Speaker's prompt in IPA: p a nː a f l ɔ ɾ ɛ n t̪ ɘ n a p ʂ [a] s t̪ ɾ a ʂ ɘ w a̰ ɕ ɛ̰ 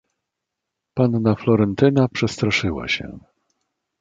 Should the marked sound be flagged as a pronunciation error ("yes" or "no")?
yes